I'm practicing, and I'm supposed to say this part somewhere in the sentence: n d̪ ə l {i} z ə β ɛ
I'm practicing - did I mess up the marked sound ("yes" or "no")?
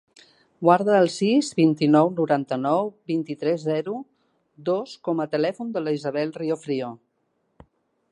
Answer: no